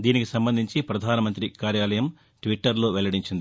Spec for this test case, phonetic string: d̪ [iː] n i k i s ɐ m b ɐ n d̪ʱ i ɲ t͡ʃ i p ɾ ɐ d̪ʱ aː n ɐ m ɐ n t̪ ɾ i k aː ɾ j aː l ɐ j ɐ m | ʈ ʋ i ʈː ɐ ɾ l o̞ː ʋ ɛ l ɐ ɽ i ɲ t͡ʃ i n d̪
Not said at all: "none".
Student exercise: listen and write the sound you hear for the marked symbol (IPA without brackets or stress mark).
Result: iː